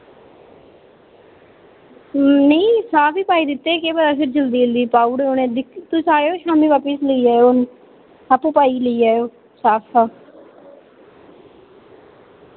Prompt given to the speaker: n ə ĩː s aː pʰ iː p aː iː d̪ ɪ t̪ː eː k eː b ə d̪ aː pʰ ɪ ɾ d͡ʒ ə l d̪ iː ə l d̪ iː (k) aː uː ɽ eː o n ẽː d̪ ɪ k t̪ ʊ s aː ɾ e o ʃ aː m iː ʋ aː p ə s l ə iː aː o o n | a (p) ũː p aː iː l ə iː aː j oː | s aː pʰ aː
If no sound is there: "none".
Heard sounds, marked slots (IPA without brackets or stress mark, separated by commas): p, p